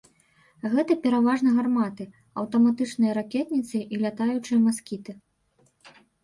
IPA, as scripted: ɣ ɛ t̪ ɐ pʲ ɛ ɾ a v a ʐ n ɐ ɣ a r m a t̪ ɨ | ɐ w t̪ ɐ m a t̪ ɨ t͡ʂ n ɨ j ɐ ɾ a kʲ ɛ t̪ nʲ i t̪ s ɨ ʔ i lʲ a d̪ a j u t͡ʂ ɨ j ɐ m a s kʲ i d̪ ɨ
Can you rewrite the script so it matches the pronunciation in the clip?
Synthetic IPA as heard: ɣ ɛ t̪ ɐ pʲ ɛ ɾ a v a ʐ n ɐ ɣ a r m a t̪ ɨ | ɐ w t̪ ɐ m a t̪ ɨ t͡ʂ n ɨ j ɐ ɾ a kʲ ɛ t̪ nʲ i t̪ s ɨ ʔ i lʲ a t̪ a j u t͡ʂ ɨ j ɐ m a s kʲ i t̪ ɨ

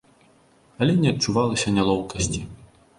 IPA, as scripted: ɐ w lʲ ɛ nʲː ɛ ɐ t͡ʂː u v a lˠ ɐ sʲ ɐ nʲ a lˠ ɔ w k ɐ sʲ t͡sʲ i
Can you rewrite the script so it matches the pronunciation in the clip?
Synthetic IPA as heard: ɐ lʲ ɛ nʲ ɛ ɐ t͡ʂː u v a lˠ ɐ sʲ ɐ nʲ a lˠ ɔ w k ɐ sʲ t͡sʲ i

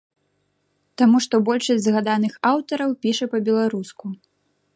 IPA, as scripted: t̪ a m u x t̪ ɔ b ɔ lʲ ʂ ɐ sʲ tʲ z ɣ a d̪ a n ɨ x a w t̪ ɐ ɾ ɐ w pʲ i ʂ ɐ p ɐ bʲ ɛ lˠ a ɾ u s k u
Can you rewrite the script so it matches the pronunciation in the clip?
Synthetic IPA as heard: t̪ a m u ʂ t̪ ɔ b ɔ lʲ ʂ ɐ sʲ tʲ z ɣ a d̪ a n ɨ x a w t̪ ɐ ɾ ɐ w pʲ i ʂ ɐ p ɐ bʲ ɛ lˠ a ɾ u s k u

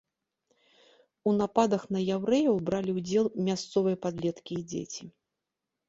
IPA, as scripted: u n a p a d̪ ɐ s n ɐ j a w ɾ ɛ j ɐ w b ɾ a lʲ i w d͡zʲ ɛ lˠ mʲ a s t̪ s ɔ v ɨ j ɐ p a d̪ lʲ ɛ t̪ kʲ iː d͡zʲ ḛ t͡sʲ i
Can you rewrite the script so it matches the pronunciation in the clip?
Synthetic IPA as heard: u n a p a d̪ ɐ x n ɐ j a w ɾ ɛ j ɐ w b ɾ a lʲ i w d͡zʲ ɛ lˠ mʲ a s t̪ s ɔ v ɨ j ɐ p a d̪ lʲ ɛ t̪ kʲ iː d͡zʲ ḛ t͡sʲ i

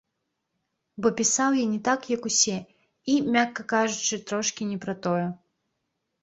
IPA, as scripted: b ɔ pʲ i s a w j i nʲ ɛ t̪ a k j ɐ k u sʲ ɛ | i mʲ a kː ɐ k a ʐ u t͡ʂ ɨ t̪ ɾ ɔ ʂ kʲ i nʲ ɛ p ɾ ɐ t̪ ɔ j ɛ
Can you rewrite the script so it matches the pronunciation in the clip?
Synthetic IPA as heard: b ɔ pʲ i s a w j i nʲ ɛ t̪ a k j ɐ k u sʲ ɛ | i mʲ a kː ɐ k a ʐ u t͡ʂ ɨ t̪ ɾ ɔ ʂ kʲ i nʲ ɛ p ɾ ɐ t̪ ɔ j ɛ

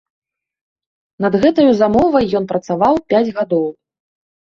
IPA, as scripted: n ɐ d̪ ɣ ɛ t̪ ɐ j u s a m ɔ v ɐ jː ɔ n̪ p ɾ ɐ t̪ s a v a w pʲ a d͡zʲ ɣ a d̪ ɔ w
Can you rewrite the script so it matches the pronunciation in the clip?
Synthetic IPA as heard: n ɐ d̪ ɣ ɛ t̪ ɐ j u z a m ɔ v ɐ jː ɔ n̪ p ɾ ɐ t̪ s a v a w pʲ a d͡zʲ ɣ a d̪ ɔ w

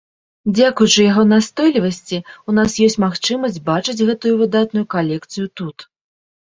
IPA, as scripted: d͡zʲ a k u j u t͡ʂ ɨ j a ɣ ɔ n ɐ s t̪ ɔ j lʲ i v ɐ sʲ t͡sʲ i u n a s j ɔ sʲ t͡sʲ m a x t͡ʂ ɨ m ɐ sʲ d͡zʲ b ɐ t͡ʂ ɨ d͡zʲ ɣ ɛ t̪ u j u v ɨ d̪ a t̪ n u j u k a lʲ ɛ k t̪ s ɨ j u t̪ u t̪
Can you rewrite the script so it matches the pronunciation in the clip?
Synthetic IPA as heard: d͡zʲ a k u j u t͡ʂ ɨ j a ɣ ɔ n a s t̪ ɔ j lʲ i v ɐ sʲ t͡sʲ i u n a s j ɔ sʲ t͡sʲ m a x t͡ʂ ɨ m ɐ sʲ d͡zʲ b a t͡ʂ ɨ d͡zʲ ɣ ɛ t̪ u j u v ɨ d̪ a t̪ n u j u k a lʲ ɛ k t̪ s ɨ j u t̪ u t̪

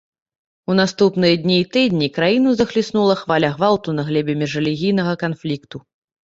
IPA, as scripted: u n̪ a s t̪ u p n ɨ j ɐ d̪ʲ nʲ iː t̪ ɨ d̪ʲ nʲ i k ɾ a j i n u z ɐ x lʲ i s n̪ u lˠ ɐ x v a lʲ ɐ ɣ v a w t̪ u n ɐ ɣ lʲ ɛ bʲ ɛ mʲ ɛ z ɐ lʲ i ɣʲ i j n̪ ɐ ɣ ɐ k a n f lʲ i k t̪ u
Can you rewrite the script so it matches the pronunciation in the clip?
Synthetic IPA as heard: u n̪ a s t̪ u p n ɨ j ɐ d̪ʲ nʲ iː t̪ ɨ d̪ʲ nʲ i k ɾ a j i n u z ɐ x lʲ i s n̪ u lˠ ɐ x v a lʲ ɐ ɣ v a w t̪ u n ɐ ɣ lʲ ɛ bʲ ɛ mʲ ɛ ʐ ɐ lʲ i ɣʲ i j n̪ ɐ ɣ ɐ k a n f lʲ i k t̪ u

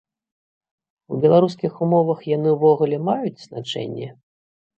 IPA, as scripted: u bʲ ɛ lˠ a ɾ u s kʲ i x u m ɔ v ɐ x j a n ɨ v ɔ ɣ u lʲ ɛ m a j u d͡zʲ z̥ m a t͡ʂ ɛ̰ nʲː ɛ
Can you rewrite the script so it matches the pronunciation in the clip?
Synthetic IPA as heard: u bʲ ɛ lˠ a ɾ u s kʲ i x u m ɔ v ɐ x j a n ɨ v ɔ ɣ u lʲ ɛ m a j u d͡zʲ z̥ n a t͡ʂ ɛ̰ nʲː ɛ

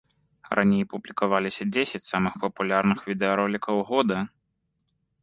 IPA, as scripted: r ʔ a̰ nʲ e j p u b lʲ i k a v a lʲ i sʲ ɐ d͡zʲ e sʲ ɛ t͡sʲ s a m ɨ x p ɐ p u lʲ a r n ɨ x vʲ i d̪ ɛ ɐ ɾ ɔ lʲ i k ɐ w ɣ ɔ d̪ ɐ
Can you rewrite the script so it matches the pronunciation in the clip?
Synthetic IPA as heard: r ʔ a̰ nʲ e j p u b lʲ i k a v a lʲ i sʲ ɐ d͡zʲ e sʲ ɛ t͡sʲ s a m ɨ x p ɐ p u lʲ a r n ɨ x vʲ i d̪ ɛ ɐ ɾ ɔ lʲ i k ɐ w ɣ ɔ d̪ ɐ

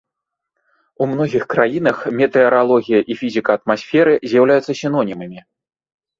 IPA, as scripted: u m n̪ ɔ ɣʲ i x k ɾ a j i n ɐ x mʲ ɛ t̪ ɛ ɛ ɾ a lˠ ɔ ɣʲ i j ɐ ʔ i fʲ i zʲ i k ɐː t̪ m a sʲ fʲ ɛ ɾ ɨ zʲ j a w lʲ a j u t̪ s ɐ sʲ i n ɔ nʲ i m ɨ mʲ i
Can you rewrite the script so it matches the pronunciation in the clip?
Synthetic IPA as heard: u m n̪ ɔ ɣʲ i x k ɾ a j i n ɐ x mʲ ɛ t̪ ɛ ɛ ɾ a lˠ ɔ ɣʲ i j ɐ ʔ i fʲ i zʲ i k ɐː t̪ m a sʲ fʲ ɛ ɾ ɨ zʲ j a w lʲ a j u t̪ s ɐ sʲ i n ɔ nʲ i m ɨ mʲ i

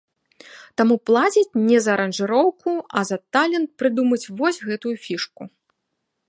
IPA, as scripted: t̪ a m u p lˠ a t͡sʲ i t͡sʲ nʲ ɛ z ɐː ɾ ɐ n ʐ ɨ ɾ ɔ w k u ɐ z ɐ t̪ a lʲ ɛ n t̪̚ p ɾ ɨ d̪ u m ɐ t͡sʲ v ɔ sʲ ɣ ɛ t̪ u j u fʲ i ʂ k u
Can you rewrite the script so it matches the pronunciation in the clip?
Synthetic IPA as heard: t̪ a m u p lˠ a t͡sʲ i t͡sʲ nʲ ɛ z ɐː ɾ ɐ n ʐ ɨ ɾ ɔ w k u ɐ z ɐ t̪ a lʲ ɛ n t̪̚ p ɾ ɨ d̪ u m ɐ t͡sʲ v ɔ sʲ ɣ ɛ t̪ u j u fʲ i ʂ k u

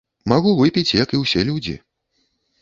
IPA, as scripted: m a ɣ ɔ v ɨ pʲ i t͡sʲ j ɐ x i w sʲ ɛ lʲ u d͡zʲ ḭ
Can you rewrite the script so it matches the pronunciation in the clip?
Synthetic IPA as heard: m a ɣ u v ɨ pʲ i t͡sʲ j ɐ k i w sʲ ɛ lʲ u d͡zʲ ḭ

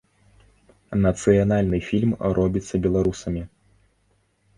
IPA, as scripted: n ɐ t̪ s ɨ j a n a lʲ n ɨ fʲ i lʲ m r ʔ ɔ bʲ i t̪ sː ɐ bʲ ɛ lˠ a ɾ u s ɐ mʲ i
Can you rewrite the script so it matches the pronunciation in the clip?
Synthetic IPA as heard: n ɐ t̪ s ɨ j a n a lʲ n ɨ fʲ i lʲ m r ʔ ɔ bʲ i t̪ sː ɐ bʲ ɛ lˠ a ɾ u s ɐ mʲ i

